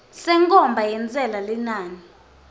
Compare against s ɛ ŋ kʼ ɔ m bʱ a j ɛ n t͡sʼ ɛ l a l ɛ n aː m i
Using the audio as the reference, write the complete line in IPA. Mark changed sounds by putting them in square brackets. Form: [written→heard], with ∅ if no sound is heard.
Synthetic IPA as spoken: s ɛ ŋ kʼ ɔ m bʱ a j ɛ n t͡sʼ ɛ l a l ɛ n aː [m→n] i